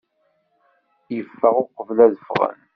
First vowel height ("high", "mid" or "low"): mid